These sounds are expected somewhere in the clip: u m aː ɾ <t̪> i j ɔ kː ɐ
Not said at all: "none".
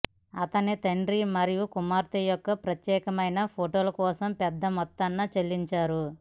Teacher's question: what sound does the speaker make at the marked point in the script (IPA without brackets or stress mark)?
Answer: t̪